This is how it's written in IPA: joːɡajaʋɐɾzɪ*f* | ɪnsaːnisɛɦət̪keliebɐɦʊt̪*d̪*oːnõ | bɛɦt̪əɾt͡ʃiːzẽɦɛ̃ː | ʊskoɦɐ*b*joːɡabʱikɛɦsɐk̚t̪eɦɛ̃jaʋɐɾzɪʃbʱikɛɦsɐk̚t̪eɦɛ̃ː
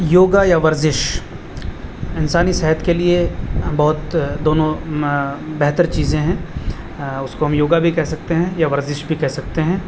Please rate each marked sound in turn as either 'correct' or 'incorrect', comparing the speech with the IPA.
incorrect: ʃ, correct, incorrect: m

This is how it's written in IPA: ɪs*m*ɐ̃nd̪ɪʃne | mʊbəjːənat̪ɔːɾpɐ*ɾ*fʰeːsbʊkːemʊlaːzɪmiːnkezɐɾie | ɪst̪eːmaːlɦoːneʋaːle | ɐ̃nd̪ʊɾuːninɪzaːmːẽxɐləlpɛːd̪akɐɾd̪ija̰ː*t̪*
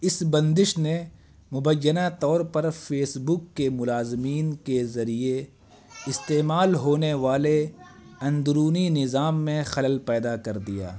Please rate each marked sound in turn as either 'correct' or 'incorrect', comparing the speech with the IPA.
incorrect: b, correct, incorrect: none

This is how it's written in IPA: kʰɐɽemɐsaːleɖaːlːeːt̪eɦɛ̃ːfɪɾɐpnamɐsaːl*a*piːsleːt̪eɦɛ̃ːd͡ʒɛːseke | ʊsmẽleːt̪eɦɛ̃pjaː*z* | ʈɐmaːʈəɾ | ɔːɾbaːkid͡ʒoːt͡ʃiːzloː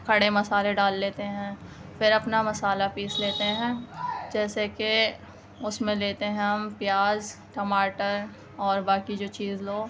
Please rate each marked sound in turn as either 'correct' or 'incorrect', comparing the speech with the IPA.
correct, correct

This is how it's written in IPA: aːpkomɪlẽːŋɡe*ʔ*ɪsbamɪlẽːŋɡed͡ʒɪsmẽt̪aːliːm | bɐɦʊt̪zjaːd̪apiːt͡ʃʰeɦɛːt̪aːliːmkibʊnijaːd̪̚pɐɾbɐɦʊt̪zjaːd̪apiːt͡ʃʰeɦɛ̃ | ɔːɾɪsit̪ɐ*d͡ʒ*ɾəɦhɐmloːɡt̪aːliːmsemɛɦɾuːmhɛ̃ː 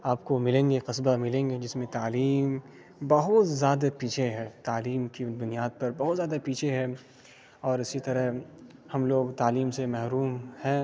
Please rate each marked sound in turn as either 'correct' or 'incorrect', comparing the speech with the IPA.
incorrect: q, incorrect: none

